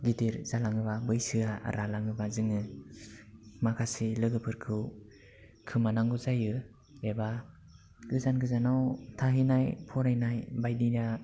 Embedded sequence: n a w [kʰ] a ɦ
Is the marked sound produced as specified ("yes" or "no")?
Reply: no